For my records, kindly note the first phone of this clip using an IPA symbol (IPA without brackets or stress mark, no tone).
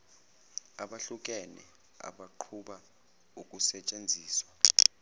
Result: a